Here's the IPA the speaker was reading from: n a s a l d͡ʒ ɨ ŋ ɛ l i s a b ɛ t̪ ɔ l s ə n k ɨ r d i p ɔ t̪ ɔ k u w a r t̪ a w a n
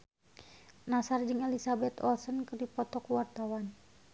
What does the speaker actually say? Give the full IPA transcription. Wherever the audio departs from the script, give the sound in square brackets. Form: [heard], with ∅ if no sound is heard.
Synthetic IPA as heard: n a s a [r] d͡ʒ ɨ ŋ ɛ l i s a b ɛ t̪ ɔ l s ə n k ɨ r d i p ɔ t̪ ɔ k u w a r t̪ a w a n